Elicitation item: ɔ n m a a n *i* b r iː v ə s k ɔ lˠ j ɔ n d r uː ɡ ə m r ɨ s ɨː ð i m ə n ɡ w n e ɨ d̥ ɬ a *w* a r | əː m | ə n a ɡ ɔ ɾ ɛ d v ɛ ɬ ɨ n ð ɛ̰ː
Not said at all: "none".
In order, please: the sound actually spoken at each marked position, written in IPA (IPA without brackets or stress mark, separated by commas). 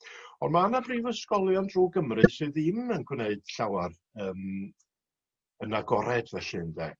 a, w